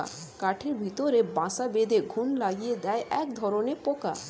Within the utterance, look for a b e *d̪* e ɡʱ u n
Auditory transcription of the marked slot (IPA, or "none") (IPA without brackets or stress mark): d̪